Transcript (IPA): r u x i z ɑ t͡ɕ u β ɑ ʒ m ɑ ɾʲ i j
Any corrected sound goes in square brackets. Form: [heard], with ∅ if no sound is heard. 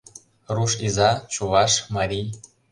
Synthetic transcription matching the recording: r u [ʃ] i z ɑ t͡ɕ u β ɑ [ʃ] m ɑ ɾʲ i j